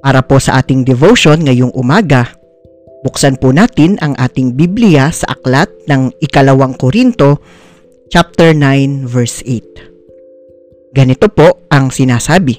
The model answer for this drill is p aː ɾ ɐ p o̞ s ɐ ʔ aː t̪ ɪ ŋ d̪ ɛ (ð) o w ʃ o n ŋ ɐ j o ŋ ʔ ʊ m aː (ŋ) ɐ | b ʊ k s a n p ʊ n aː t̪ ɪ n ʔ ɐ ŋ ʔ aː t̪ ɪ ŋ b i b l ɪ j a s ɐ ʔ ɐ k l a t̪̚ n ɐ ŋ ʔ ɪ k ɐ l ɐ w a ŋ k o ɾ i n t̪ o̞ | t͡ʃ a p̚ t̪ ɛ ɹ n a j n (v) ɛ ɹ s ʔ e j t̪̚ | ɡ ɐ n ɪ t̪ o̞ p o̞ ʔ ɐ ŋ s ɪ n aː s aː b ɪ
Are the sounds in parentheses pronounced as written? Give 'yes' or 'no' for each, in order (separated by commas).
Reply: no, no, yes